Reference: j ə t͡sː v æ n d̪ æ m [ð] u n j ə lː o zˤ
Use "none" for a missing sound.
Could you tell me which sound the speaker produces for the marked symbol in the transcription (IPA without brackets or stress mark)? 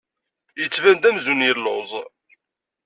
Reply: z